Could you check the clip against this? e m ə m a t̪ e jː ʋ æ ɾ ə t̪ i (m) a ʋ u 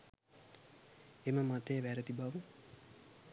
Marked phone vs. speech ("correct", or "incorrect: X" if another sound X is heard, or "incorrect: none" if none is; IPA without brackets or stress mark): incorrect: b